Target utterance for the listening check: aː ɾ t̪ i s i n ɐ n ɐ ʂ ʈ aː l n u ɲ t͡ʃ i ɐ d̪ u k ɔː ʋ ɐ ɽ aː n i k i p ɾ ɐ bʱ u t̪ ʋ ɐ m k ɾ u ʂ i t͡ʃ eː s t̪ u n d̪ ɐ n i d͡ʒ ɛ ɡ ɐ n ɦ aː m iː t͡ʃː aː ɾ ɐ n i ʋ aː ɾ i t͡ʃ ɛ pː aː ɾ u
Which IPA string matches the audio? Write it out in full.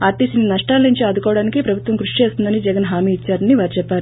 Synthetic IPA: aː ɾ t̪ i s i n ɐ n ɐ ʂ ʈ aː l n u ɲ t͡ʃ i ɐ d̪ u k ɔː ʋ ɐ ɽ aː n i k i p ɾ ɐ bʱ u t̪ ʋ ɐ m k ɾ u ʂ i t͡ʃ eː s t̪ u n d̪ ɐ n i d͡ʒ ɛ ɡ ɐ n ɦ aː m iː t͡ʃː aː ɾ ɐ n i ʋ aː ɾ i t͡ʃ ɛ pː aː ɾ u